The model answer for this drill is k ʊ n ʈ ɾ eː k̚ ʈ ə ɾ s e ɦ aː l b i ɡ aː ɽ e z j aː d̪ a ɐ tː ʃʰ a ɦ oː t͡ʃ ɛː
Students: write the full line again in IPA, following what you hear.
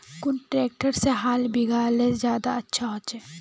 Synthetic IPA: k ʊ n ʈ ɾ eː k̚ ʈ ə ɾ s e ɦ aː l b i ɡ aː l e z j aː d̪ a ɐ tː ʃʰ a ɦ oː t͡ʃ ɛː